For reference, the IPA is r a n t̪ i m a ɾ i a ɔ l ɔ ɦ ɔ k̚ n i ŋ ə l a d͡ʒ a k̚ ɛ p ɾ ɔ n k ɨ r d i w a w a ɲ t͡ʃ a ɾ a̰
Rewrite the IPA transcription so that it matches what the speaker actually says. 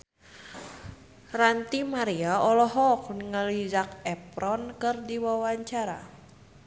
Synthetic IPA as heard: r a n t̪ i m a ɾ i a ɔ l ɔ ɦ ɔ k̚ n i ŋ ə l i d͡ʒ a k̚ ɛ p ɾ ɔ n k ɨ r d i w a w a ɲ t͡ʃ a ɾ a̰